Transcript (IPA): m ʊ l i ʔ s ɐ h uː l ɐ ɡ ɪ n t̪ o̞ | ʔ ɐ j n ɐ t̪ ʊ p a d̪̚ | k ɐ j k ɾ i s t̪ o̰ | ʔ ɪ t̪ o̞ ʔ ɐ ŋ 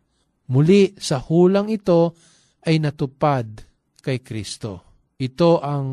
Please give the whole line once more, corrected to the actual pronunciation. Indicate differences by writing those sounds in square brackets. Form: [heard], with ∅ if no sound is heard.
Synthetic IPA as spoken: m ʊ l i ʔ s ɐ h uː l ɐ [ŋ] ɪ [∅] t̪ o̞ | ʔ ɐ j n ɐ t̪ ʊ p a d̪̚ | k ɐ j k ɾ i s t̪ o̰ | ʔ ɪ t̪ o̞ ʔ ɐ ŋ